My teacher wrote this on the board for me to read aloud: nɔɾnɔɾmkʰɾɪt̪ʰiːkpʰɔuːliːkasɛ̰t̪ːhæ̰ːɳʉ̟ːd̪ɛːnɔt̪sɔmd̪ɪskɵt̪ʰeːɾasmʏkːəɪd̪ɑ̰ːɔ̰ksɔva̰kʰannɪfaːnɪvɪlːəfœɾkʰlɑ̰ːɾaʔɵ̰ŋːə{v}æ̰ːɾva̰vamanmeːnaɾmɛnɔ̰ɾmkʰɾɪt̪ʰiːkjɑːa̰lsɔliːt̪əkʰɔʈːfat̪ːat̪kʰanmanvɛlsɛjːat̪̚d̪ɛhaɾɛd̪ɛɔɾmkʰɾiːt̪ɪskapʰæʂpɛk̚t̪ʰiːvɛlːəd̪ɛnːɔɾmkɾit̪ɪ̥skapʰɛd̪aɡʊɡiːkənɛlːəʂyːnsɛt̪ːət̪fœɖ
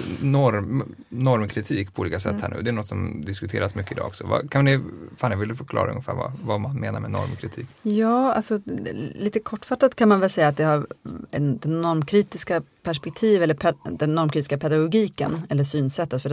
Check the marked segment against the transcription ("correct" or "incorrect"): incorrect